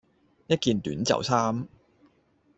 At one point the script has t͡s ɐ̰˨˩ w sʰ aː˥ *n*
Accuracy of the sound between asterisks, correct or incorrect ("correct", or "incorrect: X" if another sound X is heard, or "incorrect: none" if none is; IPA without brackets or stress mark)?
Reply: incorrect: m